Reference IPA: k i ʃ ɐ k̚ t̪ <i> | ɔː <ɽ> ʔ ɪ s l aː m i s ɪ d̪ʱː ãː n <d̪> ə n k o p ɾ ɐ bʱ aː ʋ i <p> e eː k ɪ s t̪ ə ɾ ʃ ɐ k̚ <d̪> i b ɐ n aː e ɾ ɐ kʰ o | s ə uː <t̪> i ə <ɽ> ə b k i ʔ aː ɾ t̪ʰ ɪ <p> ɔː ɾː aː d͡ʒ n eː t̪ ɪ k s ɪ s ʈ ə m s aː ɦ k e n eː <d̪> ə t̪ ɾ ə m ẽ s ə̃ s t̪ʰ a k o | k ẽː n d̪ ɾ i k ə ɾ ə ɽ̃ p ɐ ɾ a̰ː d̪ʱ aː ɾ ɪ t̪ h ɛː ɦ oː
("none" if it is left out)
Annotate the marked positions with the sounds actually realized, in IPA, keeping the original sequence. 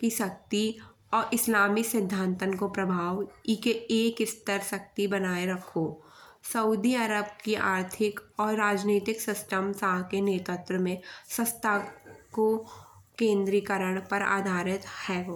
i, ɾ, t̪, k, t̪, d̪, ɾ, k, t̪

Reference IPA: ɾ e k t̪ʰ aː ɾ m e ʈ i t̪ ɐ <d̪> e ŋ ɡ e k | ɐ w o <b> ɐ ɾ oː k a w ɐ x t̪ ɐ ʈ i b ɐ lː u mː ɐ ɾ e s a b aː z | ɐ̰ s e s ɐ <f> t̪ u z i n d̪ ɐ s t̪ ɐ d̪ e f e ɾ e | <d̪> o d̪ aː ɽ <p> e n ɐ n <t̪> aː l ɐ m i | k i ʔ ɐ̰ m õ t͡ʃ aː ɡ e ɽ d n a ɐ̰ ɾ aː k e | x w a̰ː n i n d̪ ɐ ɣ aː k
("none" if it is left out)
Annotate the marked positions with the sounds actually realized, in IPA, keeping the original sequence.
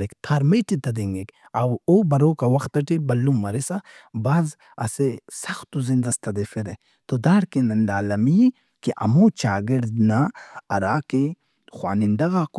d̪, b, x, t̪, k, d̪

